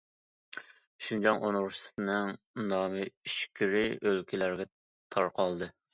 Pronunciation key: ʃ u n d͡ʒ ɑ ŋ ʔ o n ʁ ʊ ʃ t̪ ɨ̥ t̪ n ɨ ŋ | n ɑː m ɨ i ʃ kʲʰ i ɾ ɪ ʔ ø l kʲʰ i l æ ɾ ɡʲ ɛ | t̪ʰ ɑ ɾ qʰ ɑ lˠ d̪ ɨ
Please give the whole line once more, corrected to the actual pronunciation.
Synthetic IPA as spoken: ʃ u n d͡ʒ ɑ ŋ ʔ o n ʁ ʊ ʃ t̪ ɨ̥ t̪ n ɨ ŋ | n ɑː m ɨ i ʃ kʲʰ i ɾ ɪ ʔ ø l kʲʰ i l æ ɾ ɡʲ ɛ | t̪ʰ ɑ ɾ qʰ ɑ lˠ d̪ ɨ